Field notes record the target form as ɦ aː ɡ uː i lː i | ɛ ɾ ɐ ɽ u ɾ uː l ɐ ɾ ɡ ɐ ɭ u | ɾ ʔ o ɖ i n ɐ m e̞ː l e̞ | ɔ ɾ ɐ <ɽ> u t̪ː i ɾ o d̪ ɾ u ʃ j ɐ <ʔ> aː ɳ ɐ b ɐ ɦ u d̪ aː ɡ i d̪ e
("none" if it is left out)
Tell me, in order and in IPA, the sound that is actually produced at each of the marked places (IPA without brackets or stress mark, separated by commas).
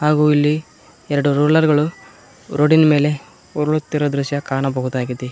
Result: ɭ, k